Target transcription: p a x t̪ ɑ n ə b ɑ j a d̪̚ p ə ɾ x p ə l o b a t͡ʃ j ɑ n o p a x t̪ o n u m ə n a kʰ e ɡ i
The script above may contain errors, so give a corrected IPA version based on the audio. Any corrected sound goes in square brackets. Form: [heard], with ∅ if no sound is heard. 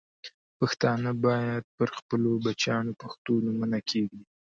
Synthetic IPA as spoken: p a x t̪ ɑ n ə b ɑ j a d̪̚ p ə ɾ x p ə l o b a t͡ʃ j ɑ n o p a x t̪ o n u m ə n a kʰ e ɡ i